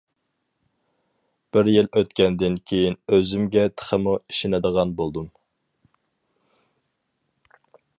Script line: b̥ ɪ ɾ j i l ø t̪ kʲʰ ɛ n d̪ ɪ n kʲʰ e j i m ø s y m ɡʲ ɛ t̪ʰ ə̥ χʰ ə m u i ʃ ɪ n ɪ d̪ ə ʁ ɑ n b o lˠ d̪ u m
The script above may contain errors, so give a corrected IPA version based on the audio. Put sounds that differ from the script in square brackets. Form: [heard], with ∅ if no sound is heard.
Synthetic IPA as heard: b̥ ɪ ɾ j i l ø t̪ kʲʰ ɛ n d̪ ɪ n kʲʰ e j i [n] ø [z] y m ɡʲ ɛ t̪ʰ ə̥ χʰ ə m u i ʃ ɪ n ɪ d̪ ə ʁ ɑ n b o lˠ d̪ u m